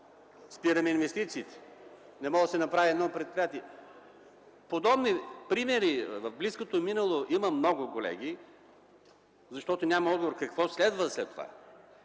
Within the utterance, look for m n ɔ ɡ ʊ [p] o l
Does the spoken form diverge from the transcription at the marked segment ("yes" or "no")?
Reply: yes